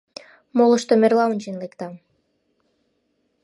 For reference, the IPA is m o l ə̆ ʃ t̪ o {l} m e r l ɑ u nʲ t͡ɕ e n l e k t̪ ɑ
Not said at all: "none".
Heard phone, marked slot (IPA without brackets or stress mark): none